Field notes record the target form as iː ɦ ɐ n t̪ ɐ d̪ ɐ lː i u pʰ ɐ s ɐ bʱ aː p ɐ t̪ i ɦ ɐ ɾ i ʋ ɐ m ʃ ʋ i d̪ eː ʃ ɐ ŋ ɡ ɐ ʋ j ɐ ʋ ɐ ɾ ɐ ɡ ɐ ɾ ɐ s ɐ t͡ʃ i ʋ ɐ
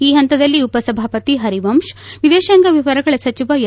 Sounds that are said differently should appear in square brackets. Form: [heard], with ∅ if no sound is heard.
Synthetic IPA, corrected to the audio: iː ɦ ɐ n t̪ ɐ d̪ ɐ lː i u [p] ɐ s ɐ bʱ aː p ɐ t̪ i ɦ ɐ ɾ i ʋ ɐ m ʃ ʋ i d̪ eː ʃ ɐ ŋ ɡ ɐ ʋ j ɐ ʋ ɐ ɾ ɐ ɡ ɐ [ɭ] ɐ s ɐ t͡ʃ i ʋ ɐ